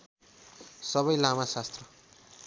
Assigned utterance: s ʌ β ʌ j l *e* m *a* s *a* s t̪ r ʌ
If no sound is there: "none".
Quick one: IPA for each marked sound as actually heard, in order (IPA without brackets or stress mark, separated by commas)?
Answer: a, a, a